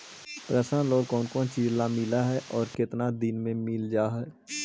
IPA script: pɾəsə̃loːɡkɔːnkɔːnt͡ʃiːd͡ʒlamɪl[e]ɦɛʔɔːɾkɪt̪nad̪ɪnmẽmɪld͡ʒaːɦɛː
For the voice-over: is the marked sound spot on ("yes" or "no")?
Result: no